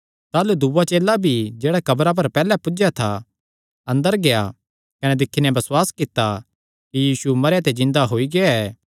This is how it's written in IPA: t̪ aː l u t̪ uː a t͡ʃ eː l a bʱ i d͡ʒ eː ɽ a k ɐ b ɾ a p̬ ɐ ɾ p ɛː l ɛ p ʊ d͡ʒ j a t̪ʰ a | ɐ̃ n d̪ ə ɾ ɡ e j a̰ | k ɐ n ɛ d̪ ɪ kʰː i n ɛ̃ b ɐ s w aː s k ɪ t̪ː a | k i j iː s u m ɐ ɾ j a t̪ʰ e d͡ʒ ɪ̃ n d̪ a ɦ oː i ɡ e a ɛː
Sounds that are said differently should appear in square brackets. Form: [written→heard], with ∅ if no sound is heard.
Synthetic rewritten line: t̪ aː l u [t̪→d̪] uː a t͡ʃ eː l a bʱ i d͡ʒ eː ɽ a k ɐ b ɾ a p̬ ɐ ɾ p ɛː l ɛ p ʊ d͡ʒ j a t̪ʰ a | ɐ̃ n d̪ ə ɾ ɡ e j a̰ | k ɐ n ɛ d̪ ɪ kʰː i n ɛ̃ b ɐ s w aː s k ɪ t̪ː a | k i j iː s u m ɐ ɾ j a [t̪ʰ→t̪] e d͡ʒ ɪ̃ n d̪ a ɦ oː i ɡ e a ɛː

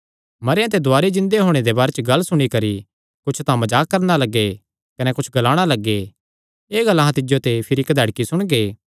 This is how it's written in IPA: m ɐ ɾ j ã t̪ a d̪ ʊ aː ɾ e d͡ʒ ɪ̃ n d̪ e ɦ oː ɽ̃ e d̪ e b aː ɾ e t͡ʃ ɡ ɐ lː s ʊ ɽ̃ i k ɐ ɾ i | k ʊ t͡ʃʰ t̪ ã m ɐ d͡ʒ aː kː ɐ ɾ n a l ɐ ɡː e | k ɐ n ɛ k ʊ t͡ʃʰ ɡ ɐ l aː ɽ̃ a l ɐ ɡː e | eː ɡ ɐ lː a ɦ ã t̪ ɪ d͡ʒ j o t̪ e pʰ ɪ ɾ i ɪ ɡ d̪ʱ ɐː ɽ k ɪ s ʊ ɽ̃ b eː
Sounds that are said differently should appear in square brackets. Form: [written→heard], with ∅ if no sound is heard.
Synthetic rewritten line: m ɐ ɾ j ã t̪ [a→e] d̪ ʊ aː ɾ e d͡ʒ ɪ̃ n d̪ e ɦ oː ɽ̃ e d̪ e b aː ɾ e t͡ʃ ɡ ɐ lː s ʊ ɽ̃ i k ɐ ɾ i | k ʊ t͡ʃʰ t̪ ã m ɐ d͡ʒ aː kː ɐ ɾ n a l ɐ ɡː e | k ɐ n ɛ k ʊ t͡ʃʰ ɡ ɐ l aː ɽ̃ a l ɐ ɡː e | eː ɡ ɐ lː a ɦ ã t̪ ɪ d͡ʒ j o t̪ e pʰ ɪ ɾ i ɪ [ɡ→k] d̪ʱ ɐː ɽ k [ɪ→i] s ʊ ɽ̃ [b→ɡ] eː

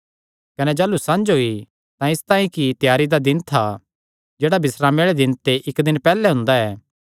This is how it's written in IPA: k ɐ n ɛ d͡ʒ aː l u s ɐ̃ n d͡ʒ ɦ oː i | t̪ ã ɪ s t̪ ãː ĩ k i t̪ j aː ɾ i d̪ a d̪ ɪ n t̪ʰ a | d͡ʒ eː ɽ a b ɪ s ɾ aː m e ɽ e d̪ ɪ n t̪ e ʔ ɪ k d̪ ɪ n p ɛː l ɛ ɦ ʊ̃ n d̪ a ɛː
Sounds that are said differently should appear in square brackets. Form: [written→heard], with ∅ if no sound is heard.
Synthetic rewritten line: k ɐ n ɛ d͡ʒ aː l u s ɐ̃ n d͡ʒ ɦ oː i | t̪ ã ɪ s t̪ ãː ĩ k i t̪ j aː ɾ i d̪ a d̪ ɪ n t̪ʰ a | d͡ʒ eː ɽ a b ɪ s ɾ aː m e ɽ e d̪ ɪ n t̪ e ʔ ɪ k d̪ ɪ n p ɛː l ɛ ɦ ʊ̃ n d̪ a ɛː

